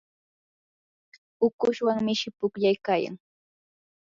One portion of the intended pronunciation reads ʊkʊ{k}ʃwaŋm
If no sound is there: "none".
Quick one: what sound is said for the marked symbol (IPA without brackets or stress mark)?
none